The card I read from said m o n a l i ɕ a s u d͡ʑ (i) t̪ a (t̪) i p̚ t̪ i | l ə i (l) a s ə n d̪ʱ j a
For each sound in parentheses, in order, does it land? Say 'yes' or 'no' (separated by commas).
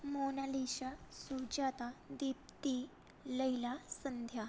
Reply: no, no, yes